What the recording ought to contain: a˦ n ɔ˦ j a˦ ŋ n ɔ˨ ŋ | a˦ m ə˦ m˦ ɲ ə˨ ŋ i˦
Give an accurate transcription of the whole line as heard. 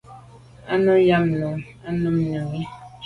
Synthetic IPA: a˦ n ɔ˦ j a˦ m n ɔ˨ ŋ | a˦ n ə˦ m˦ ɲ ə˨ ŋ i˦